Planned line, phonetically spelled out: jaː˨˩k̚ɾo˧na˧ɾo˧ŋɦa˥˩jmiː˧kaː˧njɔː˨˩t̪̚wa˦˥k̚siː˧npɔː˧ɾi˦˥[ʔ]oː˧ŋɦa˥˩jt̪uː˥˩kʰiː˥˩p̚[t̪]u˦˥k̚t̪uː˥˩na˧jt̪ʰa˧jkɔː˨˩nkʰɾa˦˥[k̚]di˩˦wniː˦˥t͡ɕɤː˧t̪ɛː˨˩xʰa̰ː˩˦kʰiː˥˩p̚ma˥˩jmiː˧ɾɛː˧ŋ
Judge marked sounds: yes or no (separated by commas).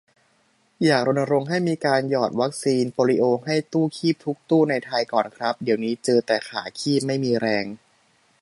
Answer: yes, no, no